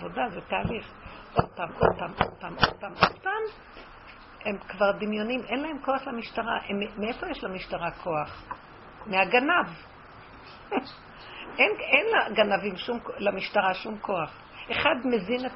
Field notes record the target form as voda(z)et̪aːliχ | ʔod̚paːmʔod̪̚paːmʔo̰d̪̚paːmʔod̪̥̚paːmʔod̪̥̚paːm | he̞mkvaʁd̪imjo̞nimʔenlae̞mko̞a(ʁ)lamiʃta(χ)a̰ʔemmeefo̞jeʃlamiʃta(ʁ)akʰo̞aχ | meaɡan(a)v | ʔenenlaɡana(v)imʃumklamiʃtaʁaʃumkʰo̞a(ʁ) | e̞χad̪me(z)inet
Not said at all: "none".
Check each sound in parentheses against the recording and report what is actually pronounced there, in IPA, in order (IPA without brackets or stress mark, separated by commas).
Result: z, χ, ʁ, ʁ, a, v, χ, z